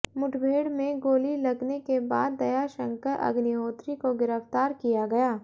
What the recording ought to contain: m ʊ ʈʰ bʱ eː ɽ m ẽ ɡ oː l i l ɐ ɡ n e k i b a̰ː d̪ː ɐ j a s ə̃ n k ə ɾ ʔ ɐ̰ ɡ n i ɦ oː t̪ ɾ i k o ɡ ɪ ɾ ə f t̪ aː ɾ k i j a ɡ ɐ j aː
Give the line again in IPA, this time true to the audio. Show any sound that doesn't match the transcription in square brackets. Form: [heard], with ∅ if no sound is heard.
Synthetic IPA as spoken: m ʊ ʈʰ bʱ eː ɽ m ẽ ɡ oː l i l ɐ ɡ n e k [e] b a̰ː d̪ː ɐ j a [ʃ] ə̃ [ŋ] k ə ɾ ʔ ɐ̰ ɡ n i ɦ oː t̪ ɾ i k o ɡ ɪ ɾ ə f t̪ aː ɾ k i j a ɡ ɐ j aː

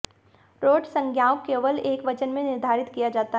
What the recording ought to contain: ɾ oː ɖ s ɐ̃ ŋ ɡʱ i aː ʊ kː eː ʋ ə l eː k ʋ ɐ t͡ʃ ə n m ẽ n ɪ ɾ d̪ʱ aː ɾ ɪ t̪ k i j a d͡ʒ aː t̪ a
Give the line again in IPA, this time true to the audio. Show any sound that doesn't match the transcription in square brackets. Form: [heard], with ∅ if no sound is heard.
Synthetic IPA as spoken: ɾ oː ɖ s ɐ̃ ŋ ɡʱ [j] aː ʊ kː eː ʋ ə l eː k ʋ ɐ t͡ʃ ə n m ẽ n ɪ ɾ d̪ʱ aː ɾ ɪ t̪ k i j a d͡ʒ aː t̪ a

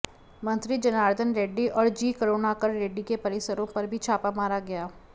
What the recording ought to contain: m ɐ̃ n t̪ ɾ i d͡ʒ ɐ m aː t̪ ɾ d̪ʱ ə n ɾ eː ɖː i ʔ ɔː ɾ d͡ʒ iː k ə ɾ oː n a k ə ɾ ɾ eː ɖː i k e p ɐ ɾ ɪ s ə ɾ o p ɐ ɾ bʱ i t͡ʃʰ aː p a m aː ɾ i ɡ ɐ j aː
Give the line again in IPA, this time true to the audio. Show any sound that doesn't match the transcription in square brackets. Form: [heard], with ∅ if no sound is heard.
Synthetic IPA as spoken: m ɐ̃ n t̪ ɾ i d͡ʒ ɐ [n] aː [∅] ɾ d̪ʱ ə n ɾ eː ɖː i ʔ ɔː ɾ d͡ʒ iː k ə ɾ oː n a k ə ɾ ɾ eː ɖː i k e p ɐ ɾ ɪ s ə ɾ [õ] p ɐ ɾ bʱ i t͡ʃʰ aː p a m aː ɾ [a] ɡ ɐ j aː

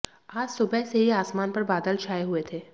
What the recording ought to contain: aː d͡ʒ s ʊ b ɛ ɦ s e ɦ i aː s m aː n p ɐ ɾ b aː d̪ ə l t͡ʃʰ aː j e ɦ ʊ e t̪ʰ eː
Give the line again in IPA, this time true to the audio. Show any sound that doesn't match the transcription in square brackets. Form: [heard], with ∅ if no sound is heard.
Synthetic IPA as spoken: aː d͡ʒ s ʊ b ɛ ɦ s e ɦ i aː s m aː n p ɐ ɾ b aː d̪ ə l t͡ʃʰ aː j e ɦ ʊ e t̪ʰ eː

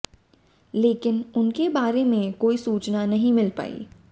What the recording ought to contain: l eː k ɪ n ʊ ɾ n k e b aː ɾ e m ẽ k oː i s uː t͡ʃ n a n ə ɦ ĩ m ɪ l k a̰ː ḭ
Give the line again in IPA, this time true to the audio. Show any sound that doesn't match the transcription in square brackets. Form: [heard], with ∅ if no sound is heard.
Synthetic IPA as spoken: l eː k ɪ n ʊ [∅] n k e b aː ɾ e m ẽ k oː i s uː t͡ʃ n a n [ɐ] ɦ ĩ m ɪ l [p] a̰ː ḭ

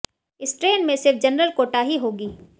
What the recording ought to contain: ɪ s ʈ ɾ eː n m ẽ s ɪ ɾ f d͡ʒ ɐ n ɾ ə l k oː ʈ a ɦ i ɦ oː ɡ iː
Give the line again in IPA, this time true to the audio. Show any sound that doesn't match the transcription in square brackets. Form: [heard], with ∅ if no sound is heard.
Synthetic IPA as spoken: ɪ s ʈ ɾ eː n m ẽ s ɪ ɾ f d͡ʒ ɐ n ɾ ə l k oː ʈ a ɦ i ɦ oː ɡ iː

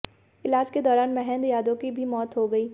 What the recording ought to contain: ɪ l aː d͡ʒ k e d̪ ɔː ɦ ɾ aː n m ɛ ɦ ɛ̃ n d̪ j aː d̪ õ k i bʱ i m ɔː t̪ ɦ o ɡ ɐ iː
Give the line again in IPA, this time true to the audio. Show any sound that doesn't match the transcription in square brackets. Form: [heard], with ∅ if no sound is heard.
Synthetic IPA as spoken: ɪ l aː d͡ʒ k e d̪ ɔː [∅] ɾ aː n m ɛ ɦ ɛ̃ n d̪ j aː d̪ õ k i bʱ i m ɔː t̪ ɦ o ɡ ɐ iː

